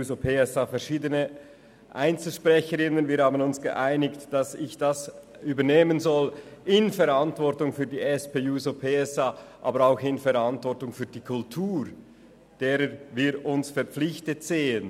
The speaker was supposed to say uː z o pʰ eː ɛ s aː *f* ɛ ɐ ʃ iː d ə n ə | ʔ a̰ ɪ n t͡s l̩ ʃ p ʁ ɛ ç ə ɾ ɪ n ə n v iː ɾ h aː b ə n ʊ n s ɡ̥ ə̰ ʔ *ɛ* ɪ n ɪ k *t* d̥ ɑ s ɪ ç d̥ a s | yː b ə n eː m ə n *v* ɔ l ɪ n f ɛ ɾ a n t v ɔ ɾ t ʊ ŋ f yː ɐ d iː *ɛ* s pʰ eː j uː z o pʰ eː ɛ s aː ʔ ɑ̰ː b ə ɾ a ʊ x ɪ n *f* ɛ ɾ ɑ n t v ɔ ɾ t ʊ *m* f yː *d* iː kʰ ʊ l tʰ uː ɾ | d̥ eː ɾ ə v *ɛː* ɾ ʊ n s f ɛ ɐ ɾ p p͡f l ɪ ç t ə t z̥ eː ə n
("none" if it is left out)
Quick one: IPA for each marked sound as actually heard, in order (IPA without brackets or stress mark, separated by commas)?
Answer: f, a, t, z, ɛ, f, ŋ, d, iː